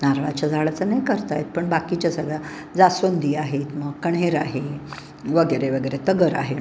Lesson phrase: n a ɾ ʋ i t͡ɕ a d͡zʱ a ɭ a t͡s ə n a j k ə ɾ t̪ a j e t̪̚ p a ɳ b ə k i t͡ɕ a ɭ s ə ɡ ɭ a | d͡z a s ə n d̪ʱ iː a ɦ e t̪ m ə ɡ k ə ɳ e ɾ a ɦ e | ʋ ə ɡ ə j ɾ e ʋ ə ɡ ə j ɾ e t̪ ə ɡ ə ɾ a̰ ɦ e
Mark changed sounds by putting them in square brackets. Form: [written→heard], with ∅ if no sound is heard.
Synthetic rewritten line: n a ɾ ʋ [i→a] t͡ɕ a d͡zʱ a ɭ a t͡s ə n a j k ə ɾ t̪ a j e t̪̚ p [a→ə] ɳ b [ə→a] k i t͡ɕ a [ɭ→∅] s ə ɡ ɭ a | d͡z a s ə n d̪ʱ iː a ɦ e t̪ m ə ɡ k ə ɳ e ɾ a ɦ e | ʋ ə ɡ ə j ɾ e ʋ ə ɡ ə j ɾ e t̪ ə ɡ ə ɾ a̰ ɦ e